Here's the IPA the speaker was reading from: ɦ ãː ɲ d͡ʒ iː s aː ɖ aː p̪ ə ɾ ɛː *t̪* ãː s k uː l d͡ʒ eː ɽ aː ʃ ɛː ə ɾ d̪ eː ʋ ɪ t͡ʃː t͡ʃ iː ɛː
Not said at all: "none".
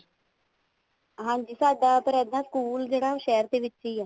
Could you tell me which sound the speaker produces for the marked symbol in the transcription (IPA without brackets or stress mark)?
d̪